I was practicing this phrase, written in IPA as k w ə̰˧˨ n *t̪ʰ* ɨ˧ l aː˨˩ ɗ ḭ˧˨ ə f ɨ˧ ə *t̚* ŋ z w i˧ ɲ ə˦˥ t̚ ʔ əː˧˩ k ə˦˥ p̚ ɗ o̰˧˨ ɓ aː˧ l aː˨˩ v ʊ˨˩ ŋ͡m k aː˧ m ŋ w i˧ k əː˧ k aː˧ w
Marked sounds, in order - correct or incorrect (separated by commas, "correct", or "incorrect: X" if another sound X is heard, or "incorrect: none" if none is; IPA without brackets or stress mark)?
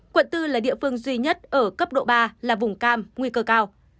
incorrect: t̪, incorrect: none